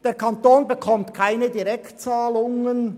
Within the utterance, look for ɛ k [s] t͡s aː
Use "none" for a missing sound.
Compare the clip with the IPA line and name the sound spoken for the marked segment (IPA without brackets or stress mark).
t